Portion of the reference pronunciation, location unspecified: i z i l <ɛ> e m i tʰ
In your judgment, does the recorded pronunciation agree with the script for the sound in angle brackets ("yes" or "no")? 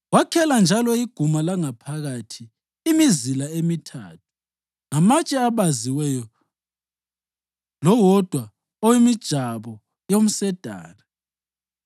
no